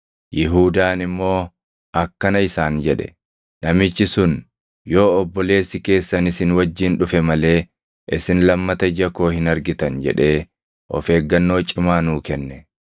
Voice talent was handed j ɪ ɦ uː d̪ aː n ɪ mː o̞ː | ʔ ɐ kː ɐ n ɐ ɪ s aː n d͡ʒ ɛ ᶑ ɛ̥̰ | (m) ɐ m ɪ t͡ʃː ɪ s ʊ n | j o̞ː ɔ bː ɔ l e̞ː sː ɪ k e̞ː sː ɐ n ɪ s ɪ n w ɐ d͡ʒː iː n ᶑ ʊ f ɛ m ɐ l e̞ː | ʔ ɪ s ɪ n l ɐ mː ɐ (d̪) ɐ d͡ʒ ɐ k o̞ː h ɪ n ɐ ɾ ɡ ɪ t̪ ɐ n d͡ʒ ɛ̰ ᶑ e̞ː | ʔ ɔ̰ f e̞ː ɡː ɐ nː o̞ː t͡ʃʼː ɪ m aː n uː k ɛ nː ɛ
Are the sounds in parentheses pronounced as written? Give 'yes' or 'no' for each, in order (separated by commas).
no, no